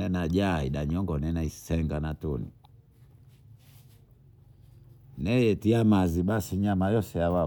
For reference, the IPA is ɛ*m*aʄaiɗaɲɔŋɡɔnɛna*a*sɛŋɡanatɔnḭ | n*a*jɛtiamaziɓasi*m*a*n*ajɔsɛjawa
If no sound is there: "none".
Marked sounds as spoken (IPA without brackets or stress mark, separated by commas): n, i, ɛ, ɲ, m